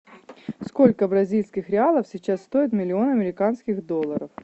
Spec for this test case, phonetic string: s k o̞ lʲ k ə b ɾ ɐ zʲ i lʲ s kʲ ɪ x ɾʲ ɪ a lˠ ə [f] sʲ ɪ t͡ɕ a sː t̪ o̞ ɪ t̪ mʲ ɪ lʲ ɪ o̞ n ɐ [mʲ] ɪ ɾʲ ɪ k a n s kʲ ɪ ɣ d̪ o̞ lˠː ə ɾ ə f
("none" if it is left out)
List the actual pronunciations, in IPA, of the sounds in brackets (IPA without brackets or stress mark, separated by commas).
f, mʲ